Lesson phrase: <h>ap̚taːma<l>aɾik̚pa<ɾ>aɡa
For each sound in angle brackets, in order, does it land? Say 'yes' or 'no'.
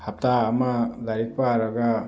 yes, yes, yes

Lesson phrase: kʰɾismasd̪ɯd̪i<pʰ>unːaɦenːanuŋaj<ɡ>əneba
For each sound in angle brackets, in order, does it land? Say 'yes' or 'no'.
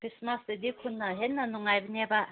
no, no

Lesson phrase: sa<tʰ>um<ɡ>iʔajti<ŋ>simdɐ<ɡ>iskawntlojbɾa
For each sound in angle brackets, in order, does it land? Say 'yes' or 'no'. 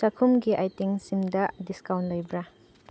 no, yes, yes, no

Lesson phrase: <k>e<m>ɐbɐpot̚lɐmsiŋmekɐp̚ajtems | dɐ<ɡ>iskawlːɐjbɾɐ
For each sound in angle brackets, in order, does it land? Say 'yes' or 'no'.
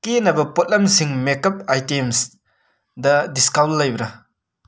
yes, no, no

